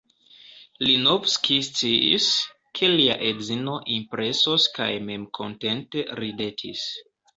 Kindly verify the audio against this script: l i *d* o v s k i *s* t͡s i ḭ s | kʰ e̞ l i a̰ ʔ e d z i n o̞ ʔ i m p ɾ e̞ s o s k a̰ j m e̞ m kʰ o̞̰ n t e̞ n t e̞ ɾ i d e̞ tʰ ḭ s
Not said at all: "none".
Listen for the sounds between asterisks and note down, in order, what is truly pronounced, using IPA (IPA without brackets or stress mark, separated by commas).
n, s